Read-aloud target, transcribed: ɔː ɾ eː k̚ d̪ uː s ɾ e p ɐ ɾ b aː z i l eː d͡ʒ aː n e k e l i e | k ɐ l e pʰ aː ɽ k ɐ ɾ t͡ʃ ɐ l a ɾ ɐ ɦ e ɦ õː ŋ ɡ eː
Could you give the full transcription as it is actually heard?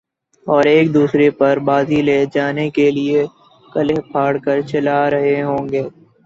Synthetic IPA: ɔː ɾ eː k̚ d̪ uː s ɾ e p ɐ ɾ b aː z i l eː d͡ʒ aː n e k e l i e | k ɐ l e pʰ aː ɽ k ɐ ɾ t͡ʃ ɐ l a ɾ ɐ ɦ e ɦ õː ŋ ɡ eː